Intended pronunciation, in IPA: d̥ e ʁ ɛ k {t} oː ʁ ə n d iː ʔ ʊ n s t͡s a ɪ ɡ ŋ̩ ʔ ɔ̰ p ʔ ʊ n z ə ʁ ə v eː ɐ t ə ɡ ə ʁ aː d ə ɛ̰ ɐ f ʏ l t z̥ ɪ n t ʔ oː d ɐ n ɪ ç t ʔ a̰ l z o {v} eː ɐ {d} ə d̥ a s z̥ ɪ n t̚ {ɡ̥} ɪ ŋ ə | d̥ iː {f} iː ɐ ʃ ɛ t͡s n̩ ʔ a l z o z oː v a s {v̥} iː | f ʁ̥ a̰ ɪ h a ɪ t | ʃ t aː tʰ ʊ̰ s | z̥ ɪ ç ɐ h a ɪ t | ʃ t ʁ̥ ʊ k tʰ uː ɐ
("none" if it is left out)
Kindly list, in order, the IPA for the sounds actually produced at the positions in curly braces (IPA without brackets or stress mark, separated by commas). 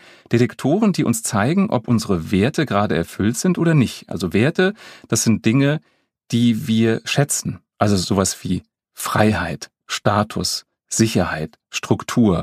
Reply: tʰ, v, t, d̥, v, v̥